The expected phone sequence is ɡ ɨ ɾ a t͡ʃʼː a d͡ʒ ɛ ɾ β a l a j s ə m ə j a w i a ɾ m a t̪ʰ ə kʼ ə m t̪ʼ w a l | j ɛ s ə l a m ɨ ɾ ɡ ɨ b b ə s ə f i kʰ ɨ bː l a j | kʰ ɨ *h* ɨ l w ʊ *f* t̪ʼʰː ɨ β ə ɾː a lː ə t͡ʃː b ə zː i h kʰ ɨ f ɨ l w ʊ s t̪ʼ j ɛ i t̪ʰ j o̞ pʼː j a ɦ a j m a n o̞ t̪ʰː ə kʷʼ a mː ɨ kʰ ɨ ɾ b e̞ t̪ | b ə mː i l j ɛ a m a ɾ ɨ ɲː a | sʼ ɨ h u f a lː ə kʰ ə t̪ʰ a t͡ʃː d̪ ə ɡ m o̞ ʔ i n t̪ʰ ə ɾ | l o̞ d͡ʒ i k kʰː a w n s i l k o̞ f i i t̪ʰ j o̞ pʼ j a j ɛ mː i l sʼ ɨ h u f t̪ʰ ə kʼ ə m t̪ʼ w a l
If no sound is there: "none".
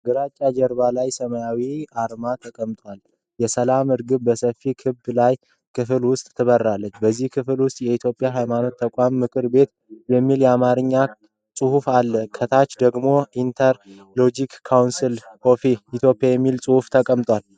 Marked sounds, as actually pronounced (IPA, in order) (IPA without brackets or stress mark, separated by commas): f, s